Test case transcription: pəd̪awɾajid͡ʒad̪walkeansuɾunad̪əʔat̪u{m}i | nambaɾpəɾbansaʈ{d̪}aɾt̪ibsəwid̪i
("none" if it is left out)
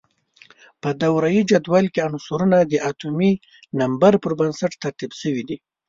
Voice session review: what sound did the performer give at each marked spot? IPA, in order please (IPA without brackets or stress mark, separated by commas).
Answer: m, t̪